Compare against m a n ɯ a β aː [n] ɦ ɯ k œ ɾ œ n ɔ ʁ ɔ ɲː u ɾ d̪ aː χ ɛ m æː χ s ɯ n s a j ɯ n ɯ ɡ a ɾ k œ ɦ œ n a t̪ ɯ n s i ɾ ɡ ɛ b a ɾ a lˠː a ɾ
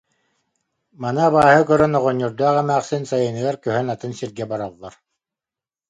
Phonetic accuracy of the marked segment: incorrect: none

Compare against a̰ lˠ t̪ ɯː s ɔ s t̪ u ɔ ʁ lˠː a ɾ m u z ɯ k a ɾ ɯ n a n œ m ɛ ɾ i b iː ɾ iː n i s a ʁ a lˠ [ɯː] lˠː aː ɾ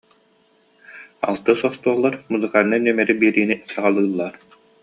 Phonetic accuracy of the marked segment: correct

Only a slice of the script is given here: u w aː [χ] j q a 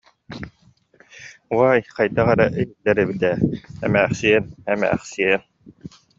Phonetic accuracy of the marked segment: incorrect: none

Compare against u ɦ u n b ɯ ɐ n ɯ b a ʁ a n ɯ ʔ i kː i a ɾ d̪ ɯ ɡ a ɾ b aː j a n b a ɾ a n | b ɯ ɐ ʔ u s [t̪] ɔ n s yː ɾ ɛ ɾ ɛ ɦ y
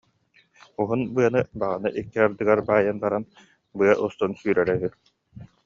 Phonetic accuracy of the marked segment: correct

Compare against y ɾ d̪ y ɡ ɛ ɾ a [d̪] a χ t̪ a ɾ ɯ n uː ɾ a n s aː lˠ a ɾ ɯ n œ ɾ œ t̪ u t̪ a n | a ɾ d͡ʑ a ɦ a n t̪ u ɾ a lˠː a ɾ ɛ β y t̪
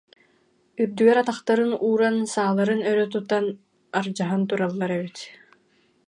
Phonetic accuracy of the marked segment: incorrect: t̪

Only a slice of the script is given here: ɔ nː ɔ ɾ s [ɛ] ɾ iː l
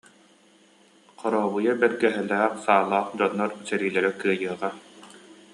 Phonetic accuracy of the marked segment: correct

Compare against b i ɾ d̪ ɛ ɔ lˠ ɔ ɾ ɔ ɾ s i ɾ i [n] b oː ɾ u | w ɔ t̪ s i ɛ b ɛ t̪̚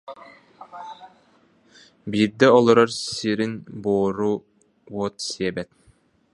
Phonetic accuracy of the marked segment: correct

